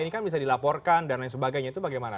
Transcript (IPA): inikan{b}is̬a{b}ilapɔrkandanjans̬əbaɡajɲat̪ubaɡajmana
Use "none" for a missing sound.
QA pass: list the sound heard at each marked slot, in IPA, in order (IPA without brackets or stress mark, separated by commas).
b, d